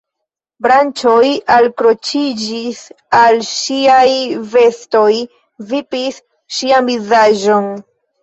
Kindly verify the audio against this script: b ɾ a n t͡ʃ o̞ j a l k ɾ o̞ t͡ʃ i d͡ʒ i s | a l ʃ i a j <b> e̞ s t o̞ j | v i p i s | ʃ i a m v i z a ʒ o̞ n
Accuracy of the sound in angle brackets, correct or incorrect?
incorrect: v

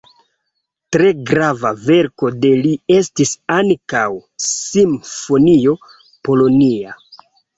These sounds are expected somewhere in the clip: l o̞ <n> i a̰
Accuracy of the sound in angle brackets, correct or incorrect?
correct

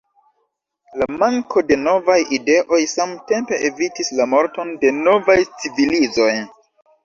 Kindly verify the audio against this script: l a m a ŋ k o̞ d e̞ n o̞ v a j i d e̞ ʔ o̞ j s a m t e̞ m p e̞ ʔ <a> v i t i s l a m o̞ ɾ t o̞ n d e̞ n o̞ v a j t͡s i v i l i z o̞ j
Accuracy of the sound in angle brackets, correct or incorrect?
incorrect: e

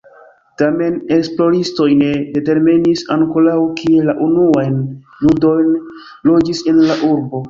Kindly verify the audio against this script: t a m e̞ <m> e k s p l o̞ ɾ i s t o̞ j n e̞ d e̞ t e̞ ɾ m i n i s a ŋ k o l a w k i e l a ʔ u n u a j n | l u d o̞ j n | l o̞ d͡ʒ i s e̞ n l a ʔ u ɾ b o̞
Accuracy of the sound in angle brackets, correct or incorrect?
incorrect: n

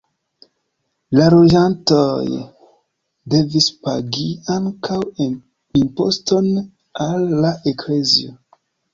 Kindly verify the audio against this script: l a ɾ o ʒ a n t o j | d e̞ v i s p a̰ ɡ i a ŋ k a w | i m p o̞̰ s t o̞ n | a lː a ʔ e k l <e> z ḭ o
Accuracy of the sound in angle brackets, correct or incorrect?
correct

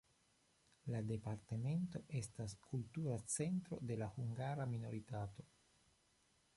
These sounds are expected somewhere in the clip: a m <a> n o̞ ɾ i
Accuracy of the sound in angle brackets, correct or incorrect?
incorrect: i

